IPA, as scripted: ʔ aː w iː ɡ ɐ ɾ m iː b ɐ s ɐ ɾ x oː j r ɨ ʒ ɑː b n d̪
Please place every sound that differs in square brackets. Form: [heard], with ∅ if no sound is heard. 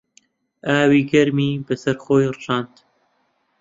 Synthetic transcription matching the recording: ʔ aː w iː ɡ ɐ ɾ m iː b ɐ s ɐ ɾ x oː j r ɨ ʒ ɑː [∅] n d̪

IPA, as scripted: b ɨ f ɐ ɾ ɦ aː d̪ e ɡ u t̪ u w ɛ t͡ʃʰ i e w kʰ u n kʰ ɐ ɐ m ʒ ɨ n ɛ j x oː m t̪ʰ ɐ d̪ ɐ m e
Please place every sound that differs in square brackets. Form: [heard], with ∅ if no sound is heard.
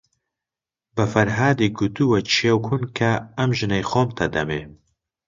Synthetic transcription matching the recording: b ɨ f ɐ ɾ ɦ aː d̪ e ɡ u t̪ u w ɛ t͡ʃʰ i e w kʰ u n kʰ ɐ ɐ m ʒ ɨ n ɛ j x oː m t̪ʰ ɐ d̪ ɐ m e

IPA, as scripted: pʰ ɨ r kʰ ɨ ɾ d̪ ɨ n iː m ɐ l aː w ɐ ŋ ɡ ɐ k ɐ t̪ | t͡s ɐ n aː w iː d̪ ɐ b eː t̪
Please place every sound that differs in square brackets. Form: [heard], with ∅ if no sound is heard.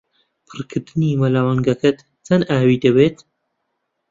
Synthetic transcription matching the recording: pʰ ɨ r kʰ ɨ ɾ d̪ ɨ n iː m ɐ l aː w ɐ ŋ ɡ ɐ k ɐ t̪ | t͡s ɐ n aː w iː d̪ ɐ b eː t̪

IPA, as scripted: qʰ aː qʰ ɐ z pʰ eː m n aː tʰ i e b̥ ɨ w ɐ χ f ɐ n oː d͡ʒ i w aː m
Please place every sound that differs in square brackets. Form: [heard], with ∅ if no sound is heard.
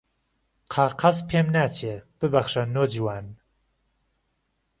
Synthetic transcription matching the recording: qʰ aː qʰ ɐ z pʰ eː m n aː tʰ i e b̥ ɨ [b] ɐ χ [ʃ] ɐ n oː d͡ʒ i w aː [n]

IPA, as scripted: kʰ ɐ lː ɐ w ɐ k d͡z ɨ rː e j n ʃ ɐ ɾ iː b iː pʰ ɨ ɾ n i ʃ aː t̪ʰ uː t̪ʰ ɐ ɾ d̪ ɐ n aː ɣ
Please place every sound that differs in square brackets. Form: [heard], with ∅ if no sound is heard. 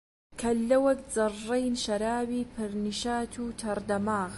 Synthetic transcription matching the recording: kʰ ɐ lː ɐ w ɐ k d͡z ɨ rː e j n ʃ ɐ ɾ [aː] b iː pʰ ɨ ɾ n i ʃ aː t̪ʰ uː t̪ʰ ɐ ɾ d̪ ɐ [m] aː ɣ

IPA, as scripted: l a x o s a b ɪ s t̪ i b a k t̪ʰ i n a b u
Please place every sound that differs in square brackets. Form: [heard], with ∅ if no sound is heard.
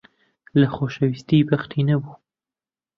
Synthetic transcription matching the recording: l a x o [ʃ] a [w] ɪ s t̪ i b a [x] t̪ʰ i n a b u

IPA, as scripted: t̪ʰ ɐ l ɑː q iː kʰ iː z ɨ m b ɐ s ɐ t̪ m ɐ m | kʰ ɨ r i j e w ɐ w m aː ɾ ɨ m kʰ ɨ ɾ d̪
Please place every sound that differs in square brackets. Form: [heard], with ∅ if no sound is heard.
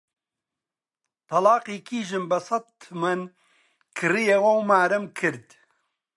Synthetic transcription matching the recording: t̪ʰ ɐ l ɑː q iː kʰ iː [ʒ] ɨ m b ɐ s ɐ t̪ m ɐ [n] | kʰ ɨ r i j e w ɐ w m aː ɾ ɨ m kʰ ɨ ɾ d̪

